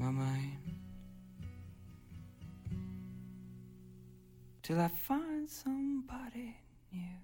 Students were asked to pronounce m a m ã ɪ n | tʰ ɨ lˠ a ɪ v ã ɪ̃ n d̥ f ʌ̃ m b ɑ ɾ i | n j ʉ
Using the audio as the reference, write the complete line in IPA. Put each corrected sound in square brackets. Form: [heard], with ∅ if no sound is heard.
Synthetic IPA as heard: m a m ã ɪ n | tʰ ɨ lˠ a ɪ [f] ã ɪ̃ n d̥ [s] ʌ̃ m b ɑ ɾ i | n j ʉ